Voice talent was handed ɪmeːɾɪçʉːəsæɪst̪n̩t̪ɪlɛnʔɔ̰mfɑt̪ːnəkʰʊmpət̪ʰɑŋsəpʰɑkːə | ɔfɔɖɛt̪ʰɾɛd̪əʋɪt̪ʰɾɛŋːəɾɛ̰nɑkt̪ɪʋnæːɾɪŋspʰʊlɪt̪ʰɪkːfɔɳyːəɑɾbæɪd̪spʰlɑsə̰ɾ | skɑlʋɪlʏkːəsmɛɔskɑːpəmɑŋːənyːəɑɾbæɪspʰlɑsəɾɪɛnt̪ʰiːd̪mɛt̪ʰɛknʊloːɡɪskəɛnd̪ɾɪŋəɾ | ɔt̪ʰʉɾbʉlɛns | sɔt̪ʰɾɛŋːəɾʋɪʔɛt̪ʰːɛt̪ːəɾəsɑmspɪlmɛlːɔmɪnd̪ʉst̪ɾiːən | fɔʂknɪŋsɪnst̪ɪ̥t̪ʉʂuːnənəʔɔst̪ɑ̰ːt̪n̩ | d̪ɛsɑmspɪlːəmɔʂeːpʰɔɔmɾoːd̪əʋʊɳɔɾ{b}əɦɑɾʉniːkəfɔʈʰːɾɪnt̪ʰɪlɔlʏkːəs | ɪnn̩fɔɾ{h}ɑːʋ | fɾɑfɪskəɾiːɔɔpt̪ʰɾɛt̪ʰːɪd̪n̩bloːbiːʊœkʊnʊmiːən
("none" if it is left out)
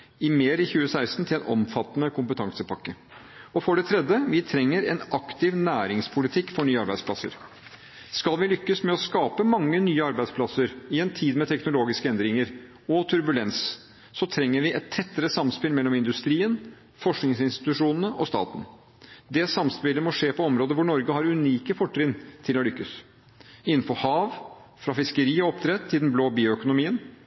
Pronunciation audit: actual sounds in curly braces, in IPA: ɡ, h

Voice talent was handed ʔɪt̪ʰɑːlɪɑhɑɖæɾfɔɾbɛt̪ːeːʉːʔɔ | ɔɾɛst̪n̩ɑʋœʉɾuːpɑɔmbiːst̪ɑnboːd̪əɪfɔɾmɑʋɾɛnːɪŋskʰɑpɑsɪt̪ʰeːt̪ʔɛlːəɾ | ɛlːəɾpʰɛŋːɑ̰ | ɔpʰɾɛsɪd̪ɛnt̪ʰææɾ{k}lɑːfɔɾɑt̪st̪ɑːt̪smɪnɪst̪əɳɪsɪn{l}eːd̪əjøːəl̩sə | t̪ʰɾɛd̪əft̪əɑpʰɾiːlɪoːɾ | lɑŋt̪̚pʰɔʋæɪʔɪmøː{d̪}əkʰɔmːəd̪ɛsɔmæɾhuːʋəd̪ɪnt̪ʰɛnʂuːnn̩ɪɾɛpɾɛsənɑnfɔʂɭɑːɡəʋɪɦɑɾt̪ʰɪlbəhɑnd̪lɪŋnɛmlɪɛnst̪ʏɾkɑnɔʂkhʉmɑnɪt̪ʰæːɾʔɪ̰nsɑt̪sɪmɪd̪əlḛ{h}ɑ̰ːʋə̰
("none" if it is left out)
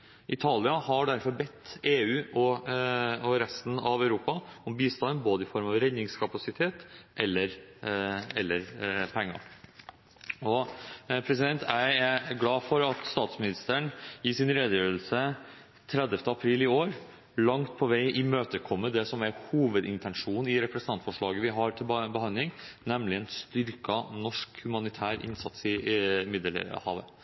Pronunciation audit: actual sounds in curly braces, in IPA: ɡ, ɾ, t̪, h

